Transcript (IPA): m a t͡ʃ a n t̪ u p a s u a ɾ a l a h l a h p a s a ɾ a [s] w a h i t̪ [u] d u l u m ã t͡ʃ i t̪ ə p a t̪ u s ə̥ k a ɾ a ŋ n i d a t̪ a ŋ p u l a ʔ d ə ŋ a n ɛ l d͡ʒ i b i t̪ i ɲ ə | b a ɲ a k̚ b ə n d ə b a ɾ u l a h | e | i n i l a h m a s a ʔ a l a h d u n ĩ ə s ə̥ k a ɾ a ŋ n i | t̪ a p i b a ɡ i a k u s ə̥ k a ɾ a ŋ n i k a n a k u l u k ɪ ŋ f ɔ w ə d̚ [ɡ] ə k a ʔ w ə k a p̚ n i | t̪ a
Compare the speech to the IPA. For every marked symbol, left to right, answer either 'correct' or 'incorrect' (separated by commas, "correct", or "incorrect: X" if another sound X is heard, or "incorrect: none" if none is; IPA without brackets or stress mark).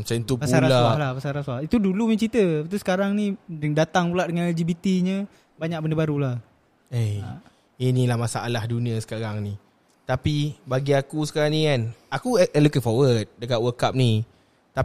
correct, correct, incorrect: d